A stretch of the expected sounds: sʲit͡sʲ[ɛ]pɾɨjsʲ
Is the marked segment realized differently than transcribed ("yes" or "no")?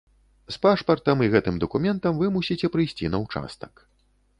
no